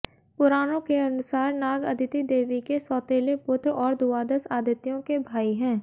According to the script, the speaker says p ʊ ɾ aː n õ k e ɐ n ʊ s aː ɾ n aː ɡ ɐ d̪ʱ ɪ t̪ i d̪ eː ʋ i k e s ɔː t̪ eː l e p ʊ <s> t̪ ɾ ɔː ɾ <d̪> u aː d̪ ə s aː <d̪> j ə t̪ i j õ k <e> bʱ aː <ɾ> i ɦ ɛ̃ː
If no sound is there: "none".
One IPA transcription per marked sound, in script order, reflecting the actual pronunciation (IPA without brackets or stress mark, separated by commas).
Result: none, d̪, d̪, e, none